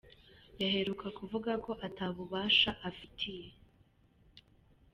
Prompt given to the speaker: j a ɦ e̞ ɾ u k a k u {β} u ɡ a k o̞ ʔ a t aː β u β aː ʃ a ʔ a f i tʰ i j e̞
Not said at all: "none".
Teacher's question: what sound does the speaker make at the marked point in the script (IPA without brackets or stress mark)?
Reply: v